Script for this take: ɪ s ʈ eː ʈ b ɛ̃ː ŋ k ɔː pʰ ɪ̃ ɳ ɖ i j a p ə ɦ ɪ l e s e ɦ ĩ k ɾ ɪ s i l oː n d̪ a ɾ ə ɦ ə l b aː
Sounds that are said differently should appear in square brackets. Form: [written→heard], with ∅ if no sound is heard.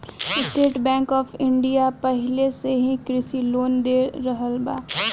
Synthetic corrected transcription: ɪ s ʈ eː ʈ b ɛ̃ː ŋ k ɔː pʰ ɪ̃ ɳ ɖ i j a p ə ɦ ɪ l e s e ɦ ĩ k ɾ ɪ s i l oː n d̪ [a→e] ɾ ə ɦ ə l b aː